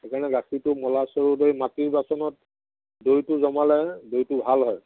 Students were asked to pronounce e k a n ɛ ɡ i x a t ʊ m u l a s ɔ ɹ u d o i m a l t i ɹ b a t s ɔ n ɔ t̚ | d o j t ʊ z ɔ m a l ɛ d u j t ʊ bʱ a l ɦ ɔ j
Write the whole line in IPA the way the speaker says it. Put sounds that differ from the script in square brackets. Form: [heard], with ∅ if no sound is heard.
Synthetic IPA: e k a n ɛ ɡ [a] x [i] t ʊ m [ɔ] l a s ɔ ɹ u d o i m a [∅] t i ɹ b a [∅] s ɔ n ɔ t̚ | d o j t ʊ z ɔ m a l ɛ d [o] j t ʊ bʱ a l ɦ ɔ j